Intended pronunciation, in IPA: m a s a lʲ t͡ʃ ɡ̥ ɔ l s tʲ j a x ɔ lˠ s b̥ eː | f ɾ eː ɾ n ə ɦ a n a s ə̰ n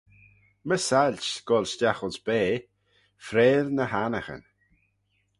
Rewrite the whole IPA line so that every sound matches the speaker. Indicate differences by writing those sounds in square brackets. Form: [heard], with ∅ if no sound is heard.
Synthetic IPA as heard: m [ə] s a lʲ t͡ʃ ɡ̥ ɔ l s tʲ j a x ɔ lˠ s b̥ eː | f ɾ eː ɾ n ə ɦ a n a [x] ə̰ n